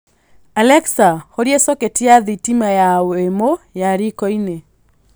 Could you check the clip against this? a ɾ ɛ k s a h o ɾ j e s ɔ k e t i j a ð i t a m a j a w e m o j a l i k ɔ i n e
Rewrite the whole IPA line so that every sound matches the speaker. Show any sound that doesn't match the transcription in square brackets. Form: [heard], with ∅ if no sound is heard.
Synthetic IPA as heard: a [l] ɛ k s a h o ɾ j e s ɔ k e t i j a ð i t [i] m a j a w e m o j a [ɾ] i k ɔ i n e